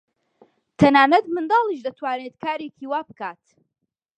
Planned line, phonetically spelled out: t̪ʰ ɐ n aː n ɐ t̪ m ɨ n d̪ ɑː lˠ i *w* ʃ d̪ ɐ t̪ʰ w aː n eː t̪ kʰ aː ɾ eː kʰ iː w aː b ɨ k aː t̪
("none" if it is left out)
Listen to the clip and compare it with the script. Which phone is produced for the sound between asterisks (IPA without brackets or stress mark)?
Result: none